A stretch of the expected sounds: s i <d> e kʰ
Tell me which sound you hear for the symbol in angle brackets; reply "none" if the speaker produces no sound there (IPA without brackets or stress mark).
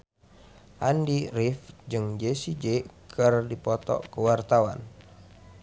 d͡ʒ